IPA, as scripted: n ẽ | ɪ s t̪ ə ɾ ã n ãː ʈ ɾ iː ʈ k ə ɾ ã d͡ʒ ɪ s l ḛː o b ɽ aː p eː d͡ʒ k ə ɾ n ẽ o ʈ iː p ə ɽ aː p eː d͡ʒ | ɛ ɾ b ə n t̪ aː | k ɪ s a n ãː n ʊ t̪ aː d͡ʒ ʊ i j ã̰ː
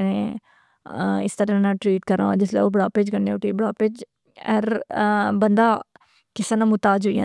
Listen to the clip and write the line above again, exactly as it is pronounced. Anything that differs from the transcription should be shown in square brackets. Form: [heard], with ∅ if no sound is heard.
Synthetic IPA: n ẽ | ɪ s t̪ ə ɾ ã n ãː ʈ ɾ iː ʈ k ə ɾ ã d͡ʒ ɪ s l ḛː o b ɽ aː p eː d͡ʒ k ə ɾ n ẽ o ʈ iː [b] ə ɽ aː p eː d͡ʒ | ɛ ɾ b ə n [d̪] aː | k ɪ s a n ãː [m] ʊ t̪ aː d͡ʒ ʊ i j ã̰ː

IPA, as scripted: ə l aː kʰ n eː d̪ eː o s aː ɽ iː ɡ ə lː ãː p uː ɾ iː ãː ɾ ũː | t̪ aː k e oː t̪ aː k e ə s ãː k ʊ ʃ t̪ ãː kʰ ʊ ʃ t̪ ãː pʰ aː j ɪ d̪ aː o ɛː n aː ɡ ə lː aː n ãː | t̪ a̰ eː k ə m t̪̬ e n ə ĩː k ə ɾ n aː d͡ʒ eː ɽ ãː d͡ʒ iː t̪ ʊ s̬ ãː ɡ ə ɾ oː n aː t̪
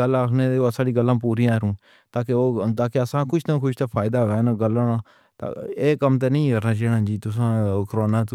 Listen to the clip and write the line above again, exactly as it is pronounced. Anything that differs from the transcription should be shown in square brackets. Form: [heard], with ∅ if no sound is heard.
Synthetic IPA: ə l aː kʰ n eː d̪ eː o s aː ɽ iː ɡ ə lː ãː p uː ɾ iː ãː ɾ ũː | t̪ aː k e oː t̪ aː k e ə s ãː k ʊ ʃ t̪ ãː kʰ ʊ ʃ t̪ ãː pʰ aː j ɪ d̪ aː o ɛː n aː ɡ ə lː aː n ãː | t̪ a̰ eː k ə m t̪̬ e n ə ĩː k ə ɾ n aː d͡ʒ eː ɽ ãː d͡ʒ iː t̪ ʊ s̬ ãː [k] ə ɾ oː n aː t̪

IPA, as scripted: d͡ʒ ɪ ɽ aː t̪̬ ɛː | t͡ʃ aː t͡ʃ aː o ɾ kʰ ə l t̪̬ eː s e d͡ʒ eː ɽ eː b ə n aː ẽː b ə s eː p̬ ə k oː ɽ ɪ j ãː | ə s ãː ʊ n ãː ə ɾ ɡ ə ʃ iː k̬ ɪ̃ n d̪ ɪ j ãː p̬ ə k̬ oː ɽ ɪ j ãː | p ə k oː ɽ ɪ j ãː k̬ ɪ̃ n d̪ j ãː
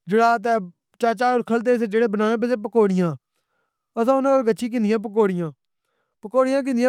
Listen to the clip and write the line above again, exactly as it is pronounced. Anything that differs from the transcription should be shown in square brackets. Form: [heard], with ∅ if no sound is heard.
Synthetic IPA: d͡ʒ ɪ ɽ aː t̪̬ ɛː | t͡ʃ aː t͡ʃ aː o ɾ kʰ ə l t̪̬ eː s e d͡ʒ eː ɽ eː b ə n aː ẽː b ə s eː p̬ ə k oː ɽ ɪ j ãː | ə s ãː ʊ n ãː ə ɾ ɡ ə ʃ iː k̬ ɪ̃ n d̪ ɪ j ãː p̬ ə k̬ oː ɽ ɪ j ãː | p ə k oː ɽ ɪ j ãː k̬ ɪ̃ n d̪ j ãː

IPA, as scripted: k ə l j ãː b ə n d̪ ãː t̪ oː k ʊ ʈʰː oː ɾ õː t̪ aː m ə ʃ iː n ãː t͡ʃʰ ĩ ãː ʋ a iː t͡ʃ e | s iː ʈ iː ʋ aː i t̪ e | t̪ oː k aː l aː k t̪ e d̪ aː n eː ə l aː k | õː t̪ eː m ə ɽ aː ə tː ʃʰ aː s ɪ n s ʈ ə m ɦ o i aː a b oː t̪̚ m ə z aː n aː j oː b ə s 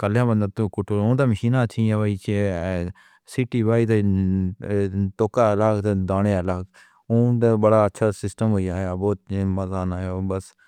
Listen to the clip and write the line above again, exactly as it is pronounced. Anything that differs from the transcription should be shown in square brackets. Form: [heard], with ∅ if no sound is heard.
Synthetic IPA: k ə l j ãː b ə n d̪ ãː t̪ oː k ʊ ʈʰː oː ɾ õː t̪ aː m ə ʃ iː n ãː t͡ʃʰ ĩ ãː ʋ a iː t͡ʃ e | s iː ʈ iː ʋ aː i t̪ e | t̪ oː k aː l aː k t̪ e d̪ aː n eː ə l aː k | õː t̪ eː [b] ə ɽ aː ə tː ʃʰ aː s ɪ [∅] s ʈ ə m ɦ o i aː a b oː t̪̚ m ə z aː n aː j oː b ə s

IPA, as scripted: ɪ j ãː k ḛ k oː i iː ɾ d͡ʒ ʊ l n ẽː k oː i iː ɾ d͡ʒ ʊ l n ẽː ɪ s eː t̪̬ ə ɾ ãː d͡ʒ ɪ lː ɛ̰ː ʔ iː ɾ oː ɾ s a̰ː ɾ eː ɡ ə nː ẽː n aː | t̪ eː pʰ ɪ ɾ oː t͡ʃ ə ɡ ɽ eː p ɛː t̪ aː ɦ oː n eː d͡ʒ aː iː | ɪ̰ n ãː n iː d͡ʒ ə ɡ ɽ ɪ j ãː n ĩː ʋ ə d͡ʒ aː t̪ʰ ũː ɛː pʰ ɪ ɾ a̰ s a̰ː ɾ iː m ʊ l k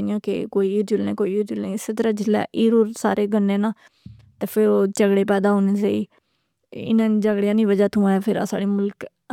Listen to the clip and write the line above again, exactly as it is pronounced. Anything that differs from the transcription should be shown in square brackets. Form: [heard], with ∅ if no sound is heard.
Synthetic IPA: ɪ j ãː k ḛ k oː i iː ɾ d͡ʒ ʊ l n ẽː k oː i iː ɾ d͡ʒ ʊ l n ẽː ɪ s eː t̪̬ ə ɾ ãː d͡ʒ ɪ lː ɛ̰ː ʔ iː ɾ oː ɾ s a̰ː ɾ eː ɡ ə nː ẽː n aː | t̪ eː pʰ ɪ ɾ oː t͡ʃ ə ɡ ɽ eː p ɛː [d̪] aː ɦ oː n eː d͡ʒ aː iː | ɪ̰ n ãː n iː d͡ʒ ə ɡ ɽ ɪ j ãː n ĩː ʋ ə d͡ʒ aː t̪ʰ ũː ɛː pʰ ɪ ɾ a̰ s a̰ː [ɽ] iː m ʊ l k

